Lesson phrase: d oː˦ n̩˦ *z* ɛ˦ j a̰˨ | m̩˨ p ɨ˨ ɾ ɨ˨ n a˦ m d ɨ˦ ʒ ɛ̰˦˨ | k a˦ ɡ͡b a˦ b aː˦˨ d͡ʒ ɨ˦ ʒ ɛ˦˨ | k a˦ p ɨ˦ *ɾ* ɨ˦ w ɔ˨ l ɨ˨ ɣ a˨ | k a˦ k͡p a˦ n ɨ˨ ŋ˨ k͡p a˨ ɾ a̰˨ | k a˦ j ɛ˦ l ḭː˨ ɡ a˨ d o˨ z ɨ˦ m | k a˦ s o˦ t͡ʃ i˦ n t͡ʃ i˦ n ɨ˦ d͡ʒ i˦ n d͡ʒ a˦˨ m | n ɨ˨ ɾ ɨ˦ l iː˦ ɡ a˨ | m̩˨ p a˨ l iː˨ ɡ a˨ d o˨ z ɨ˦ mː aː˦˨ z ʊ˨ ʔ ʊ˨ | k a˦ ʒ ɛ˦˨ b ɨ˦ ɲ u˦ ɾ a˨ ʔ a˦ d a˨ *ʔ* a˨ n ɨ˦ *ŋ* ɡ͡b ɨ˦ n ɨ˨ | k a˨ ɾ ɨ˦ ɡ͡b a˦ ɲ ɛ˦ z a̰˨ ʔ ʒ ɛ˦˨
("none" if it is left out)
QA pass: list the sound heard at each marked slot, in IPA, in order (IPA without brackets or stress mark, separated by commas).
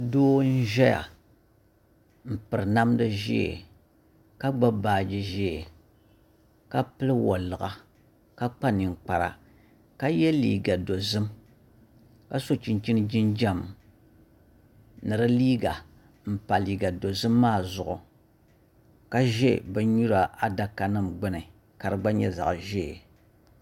ʒ, l, k, m